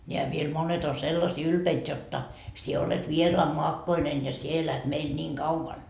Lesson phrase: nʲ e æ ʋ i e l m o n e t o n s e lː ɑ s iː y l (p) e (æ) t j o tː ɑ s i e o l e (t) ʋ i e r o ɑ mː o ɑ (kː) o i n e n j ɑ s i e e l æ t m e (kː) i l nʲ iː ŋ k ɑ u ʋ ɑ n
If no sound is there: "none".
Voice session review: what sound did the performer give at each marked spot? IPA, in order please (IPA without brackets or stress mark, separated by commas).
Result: p, i, t, kː, none